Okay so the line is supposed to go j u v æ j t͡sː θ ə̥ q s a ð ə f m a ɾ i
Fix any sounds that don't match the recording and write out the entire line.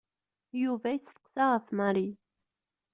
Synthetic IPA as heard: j u v æ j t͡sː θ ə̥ q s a ʁ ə f m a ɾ i